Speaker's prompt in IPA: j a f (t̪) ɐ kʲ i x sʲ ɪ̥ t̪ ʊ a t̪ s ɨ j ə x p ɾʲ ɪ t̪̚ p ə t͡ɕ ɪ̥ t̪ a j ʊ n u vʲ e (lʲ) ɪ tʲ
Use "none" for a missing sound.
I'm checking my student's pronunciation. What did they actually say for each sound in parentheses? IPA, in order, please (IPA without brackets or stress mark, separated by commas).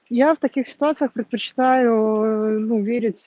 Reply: t̪, ɾʲ